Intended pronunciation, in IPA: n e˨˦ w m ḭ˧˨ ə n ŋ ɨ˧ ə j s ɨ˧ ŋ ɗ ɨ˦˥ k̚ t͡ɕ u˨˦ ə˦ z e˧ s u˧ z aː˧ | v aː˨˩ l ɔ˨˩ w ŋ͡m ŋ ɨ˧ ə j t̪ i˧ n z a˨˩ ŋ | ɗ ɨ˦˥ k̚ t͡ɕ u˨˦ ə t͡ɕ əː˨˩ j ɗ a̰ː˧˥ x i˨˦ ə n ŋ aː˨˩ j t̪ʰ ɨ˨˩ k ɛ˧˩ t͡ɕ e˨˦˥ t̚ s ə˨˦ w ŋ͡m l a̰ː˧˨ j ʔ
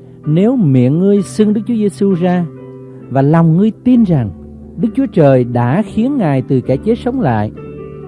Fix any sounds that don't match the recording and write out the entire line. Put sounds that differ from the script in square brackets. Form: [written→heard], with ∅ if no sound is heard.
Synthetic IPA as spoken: n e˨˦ w m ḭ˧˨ ə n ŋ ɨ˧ ə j s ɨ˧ ŋ ɗ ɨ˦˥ k̚ t͡ɕ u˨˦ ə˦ z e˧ s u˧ z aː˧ | v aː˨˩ l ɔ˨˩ w ŋ͡m ŋ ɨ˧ ə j t̪ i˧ n z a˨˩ ŋ | ɗ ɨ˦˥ k̚ t͡ɕ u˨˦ ə t͡ɕ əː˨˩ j ɗ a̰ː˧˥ x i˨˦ ə n ŋ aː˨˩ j [t̪ʰ→t̪] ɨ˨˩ k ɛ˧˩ t͡ɕ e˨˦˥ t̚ s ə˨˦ w ŋ͡m l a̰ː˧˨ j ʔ